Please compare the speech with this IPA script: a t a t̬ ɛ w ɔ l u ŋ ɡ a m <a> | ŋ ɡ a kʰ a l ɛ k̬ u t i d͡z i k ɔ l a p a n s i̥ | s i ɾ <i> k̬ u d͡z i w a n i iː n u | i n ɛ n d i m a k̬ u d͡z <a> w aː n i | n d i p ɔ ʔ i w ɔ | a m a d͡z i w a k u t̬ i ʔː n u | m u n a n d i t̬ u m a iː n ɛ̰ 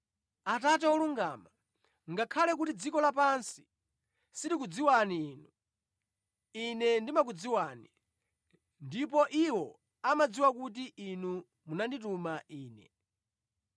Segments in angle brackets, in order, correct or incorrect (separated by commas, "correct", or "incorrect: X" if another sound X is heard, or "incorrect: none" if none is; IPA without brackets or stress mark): correct, correct, incorrect: i